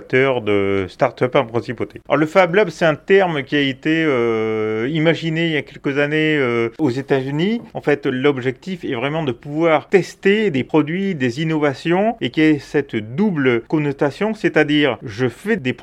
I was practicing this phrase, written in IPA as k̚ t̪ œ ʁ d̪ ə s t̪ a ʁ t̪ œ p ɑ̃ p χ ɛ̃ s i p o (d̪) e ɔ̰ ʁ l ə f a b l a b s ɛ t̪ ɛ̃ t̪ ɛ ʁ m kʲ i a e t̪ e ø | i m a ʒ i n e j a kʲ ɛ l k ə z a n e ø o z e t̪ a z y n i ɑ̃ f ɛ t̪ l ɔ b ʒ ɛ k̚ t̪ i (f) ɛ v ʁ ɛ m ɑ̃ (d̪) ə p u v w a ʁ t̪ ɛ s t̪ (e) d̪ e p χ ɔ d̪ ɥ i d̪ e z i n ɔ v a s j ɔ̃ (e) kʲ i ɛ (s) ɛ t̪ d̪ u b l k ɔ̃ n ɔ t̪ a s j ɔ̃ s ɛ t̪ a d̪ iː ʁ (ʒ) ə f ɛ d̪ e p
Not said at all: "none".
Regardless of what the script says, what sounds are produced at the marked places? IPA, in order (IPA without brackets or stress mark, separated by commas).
t̪, f, d̪, e, e, s, ʒ